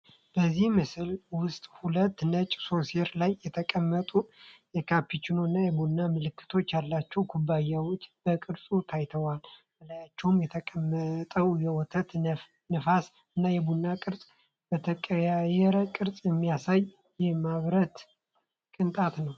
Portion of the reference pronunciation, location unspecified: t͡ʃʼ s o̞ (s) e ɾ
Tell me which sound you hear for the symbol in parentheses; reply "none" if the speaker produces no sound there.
s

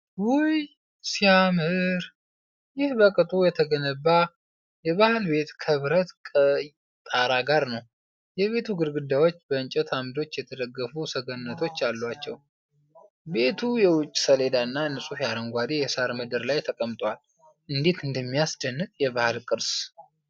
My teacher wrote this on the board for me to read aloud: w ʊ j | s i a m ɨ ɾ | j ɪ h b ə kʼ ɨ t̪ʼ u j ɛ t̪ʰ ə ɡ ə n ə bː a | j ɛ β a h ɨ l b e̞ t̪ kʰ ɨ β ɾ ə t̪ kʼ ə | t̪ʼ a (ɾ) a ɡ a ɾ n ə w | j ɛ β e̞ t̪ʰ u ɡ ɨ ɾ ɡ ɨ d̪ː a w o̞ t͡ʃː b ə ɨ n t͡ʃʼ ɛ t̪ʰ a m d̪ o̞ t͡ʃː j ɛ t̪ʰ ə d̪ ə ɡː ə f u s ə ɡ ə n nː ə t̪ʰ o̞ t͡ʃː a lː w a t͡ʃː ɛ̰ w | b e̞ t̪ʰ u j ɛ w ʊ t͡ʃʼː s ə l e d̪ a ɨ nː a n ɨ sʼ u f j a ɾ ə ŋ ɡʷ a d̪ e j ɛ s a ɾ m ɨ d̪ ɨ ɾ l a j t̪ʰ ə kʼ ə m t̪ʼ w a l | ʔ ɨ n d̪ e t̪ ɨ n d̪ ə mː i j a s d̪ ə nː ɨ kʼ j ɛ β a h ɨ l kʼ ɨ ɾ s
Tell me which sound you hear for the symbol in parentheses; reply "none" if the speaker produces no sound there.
ɾ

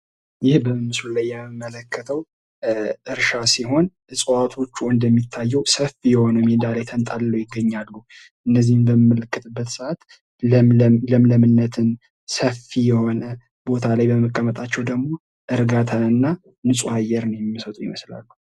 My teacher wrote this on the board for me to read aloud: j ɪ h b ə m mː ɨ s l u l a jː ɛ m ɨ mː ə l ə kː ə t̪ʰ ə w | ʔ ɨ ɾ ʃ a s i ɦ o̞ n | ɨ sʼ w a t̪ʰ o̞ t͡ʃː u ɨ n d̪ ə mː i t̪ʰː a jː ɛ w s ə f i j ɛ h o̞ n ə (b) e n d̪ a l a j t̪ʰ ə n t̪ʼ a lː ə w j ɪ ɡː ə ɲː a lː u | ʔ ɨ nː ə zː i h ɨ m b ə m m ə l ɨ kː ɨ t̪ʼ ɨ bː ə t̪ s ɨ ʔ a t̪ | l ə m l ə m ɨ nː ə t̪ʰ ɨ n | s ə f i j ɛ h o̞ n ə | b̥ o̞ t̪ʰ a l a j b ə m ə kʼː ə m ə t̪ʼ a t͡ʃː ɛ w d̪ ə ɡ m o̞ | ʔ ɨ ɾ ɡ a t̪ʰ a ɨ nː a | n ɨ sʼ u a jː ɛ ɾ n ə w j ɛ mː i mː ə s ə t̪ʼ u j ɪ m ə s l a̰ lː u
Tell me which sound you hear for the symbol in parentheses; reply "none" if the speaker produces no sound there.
m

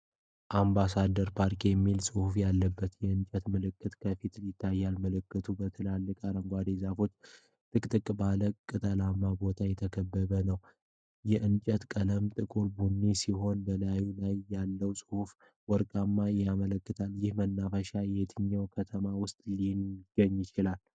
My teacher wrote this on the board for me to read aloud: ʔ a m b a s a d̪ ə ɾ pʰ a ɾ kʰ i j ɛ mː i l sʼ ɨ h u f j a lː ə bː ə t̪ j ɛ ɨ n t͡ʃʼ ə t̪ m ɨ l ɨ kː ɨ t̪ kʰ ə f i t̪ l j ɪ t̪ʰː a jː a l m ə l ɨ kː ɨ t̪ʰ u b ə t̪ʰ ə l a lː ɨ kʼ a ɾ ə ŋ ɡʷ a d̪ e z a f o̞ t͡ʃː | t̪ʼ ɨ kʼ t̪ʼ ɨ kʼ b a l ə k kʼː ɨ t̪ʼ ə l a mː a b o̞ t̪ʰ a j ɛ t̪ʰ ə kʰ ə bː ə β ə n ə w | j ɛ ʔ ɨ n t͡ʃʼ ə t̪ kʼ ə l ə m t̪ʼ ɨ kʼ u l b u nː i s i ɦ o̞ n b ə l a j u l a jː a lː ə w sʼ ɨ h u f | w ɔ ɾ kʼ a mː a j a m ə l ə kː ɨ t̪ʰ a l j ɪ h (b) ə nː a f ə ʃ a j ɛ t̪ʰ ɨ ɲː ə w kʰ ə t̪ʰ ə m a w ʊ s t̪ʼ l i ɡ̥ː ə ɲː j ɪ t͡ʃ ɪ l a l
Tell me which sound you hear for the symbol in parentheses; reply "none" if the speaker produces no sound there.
m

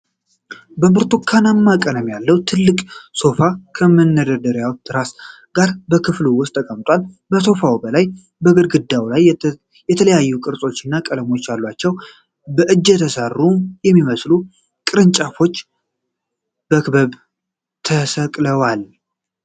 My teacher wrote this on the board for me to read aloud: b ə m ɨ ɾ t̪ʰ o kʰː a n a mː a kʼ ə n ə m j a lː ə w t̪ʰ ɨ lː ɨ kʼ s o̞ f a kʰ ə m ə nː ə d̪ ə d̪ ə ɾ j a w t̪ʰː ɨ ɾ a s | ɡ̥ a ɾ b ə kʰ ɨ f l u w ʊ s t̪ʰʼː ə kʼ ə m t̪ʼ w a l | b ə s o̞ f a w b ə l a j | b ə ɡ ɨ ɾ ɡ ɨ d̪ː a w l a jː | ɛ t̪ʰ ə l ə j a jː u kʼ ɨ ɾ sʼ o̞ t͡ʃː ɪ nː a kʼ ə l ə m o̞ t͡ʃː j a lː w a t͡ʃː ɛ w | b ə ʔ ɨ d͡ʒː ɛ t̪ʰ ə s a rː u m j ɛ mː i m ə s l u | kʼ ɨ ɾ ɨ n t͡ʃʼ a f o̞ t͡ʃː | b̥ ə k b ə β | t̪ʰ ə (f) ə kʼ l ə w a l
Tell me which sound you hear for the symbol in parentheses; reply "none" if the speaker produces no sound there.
s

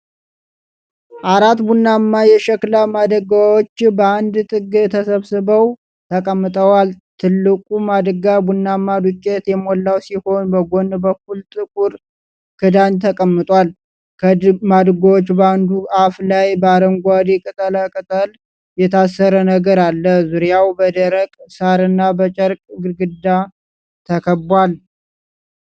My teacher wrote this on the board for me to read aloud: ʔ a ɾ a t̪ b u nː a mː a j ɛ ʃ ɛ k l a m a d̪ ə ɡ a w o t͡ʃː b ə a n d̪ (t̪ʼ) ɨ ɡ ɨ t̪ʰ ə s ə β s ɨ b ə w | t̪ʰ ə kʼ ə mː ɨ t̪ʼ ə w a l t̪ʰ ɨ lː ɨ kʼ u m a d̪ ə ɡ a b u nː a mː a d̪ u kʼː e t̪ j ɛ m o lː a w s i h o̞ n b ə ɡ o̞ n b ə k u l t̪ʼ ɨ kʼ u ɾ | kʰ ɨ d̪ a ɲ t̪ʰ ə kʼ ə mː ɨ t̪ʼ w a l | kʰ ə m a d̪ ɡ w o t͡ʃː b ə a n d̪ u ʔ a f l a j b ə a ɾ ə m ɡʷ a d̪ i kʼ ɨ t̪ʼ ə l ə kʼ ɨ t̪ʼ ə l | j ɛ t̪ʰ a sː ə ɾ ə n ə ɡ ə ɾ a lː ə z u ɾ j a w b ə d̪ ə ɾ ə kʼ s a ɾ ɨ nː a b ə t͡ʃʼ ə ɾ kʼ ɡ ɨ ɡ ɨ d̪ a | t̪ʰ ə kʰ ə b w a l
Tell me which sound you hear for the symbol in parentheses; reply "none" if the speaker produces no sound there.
t̪ʼ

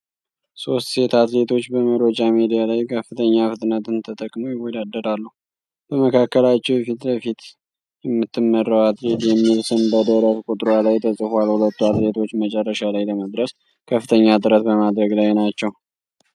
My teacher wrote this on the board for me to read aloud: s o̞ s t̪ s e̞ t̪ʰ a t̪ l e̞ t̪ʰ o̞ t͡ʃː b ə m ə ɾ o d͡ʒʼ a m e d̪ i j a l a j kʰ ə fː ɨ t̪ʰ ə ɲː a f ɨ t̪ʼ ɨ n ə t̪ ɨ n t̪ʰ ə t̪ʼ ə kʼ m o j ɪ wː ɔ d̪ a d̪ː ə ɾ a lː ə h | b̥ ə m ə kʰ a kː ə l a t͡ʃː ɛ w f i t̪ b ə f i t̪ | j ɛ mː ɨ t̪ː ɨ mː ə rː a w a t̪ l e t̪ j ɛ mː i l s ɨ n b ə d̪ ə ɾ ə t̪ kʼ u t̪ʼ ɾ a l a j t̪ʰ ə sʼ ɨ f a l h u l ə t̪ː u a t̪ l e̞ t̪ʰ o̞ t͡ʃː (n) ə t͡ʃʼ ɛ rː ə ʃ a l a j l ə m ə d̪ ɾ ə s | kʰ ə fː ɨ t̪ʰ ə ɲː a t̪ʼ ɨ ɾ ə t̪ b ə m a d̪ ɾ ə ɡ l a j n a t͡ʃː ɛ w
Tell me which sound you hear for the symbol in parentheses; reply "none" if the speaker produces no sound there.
m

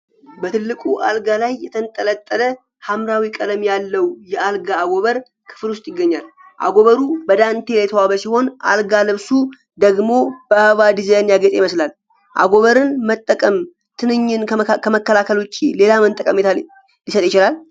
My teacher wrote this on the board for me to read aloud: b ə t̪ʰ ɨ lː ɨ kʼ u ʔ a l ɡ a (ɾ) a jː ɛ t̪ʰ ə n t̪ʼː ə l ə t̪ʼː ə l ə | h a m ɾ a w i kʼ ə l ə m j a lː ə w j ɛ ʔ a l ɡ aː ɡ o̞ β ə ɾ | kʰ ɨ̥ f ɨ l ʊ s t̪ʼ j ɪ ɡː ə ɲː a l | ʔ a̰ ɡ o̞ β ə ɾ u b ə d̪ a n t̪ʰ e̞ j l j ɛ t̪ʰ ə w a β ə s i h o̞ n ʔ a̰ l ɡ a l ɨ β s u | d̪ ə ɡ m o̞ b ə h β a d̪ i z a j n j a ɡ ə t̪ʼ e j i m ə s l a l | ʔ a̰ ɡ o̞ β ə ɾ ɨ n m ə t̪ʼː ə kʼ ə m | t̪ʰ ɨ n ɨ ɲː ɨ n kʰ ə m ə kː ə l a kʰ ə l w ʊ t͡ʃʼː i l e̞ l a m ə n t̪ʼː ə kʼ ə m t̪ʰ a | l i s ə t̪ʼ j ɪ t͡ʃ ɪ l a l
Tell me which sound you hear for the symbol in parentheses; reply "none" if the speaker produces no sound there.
l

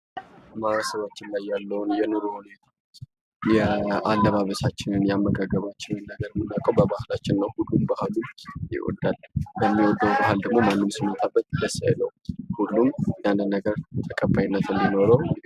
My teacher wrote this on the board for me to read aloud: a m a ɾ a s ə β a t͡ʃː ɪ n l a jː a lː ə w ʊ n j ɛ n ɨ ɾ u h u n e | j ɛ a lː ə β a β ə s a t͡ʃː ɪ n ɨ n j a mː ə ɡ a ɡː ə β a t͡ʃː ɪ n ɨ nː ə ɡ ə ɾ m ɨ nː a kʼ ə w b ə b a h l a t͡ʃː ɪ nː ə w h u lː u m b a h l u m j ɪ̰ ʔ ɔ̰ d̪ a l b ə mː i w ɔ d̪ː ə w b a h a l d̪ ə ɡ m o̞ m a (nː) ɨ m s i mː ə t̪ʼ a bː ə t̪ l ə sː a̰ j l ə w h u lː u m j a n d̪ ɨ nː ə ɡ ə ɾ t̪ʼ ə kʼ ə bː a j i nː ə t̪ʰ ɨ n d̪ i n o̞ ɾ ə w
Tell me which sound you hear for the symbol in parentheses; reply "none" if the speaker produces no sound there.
nː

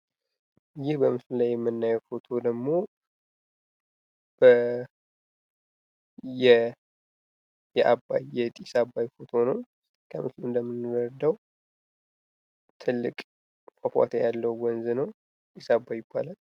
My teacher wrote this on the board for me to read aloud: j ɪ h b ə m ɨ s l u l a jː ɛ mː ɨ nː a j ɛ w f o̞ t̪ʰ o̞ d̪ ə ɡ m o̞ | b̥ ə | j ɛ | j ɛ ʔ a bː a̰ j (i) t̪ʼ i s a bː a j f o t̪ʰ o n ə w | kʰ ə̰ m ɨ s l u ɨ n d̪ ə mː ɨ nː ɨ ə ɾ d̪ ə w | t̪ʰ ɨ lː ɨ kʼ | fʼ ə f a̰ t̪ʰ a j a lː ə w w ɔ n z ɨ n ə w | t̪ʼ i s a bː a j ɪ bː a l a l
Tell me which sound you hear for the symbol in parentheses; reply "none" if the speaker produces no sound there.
ɛ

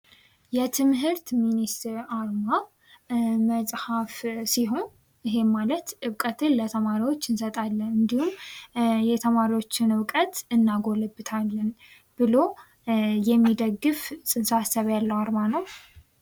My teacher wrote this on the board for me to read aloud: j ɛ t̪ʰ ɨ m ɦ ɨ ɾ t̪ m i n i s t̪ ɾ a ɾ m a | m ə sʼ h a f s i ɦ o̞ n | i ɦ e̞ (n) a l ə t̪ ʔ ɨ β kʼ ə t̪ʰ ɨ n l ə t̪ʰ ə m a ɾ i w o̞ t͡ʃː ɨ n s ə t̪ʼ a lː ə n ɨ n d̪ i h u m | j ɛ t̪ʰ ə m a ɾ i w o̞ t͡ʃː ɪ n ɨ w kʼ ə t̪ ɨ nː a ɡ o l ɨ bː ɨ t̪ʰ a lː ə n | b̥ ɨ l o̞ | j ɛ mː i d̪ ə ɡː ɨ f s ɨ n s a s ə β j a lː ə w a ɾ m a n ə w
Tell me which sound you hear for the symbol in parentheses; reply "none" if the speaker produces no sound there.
m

